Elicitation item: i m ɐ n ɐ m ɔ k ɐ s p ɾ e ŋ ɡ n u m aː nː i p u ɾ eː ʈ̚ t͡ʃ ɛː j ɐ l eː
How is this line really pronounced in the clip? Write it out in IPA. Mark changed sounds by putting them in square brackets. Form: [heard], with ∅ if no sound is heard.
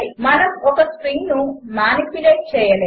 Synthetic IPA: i m ɐ n ɐ m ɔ k ɐ s p ɾ [i] ŋ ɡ n u m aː [n] i p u [l] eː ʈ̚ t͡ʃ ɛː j ɐ l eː